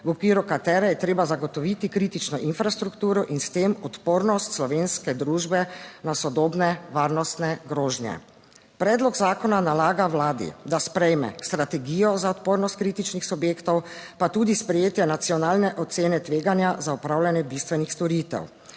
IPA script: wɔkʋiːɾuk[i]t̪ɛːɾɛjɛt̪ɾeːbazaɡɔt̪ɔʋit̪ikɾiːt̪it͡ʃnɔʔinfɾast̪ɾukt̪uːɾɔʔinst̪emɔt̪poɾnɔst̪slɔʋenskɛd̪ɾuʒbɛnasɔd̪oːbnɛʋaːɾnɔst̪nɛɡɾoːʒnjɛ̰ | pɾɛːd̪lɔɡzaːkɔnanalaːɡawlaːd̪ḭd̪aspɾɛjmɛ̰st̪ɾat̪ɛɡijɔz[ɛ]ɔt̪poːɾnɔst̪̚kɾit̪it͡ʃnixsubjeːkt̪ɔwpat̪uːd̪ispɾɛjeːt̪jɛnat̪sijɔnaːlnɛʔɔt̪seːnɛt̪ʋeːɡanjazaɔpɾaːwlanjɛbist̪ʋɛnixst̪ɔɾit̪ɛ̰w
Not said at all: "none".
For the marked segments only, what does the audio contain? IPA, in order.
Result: a, a

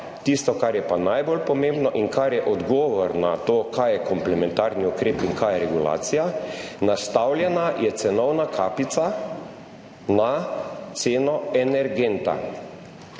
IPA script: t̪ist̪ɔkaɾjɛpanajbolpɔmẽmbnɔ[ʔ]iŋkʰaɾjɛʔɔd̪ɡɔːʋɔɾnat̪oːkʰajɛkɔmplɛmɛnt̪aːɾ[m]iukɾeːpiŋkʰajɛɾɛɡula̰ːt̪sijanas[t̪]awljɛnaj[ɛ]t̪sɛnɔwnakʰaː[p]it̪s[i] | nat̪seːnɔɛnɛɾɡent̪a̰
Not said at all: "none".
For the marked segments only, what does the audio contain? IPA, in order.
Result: ʔ, n, t̪, ɛ, p, a

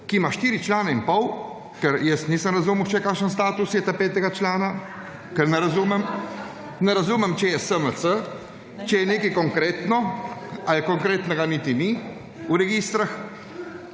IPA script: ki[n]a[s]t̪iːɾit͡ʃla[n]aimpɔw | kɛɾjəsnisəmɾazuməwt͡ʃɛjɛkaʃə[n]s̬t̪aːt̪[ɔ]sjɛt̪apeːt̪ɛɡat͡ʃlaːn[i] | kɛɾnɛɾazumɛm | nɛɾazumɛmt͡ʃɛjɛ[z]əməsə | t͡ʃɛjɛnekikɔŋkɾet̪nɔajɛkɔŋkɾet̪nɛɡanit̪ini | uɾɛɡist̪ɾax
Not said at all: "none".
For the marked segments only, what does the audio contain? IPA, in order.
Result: m, ʃ, n, n, u, a, s

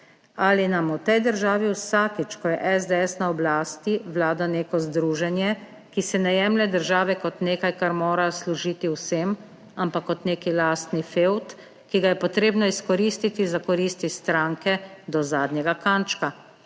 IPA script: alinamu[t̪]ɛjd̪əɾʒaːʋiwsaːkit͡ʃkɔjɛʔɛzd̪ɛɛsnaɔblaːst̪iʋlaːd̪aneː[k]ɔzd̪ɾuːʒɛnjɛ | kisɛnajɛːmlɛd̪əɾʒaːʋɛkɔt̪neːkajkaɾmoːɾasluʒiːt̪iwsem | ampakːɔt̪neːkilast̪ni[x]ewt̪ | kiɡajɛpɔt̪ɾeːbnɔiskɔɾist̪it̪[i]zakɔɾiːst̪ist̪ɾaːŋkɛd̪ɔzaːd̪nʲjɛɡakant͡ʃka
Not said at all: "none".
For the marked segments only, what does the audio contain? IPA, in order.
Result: t̪, k, f, i

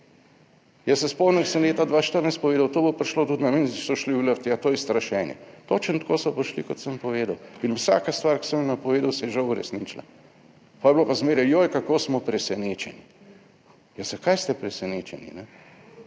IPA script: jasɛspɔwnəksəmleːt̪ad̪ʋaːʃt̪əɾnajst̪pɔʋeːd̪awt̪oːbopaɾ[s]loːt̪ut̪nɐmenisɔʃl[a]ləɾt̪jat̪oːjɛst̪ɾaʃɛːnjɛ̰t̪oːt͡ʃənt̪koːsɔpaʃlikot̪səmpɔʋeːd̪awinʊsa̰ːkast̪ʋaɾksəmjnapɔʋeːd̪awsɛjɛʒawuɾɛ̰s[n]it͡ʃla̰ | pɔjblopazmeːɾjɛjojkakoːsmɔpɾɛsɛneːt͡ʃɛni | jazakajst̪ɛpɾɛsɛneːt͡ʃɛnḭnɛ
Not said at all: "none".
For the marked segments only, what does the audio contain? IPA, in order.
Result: ʃ, i, n

